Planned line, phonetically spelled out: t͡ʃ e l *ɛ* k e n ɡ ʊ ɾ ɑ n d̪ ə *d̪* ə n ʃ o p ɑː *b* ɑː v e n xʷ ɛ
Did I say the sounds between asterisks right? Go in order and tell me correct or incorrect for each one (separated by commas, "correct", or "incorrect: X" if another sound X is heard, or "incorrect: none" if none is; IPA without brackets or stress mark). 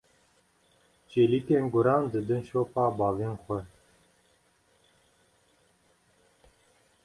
incorrect: i, correct, correct